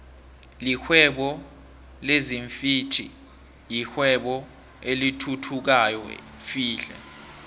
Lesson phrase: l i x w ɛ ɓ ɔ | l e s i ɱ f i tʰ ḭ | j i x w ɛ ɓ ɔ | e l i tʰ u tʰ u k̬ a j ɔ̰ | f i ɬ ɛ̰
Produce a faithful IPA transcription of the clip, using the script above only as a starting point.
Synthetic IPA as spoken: l i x w ɛ ɓ ɔ | l e z i ɱ f i tʰ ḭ | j i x w ɛ ɓ ɔ | e l i tʰ u tʰ u k̬ a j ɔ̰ | f iː ɬ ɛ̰